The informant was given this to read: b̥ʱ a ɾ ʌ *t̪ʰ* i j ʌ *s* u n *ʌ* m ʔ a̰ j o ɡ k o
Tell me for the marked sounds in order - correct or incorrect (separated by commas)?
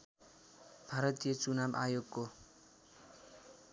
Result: incorrect, incorrect, incorrect